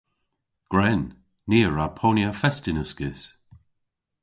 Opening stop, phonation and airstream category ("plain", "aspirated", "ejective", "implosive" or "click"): plain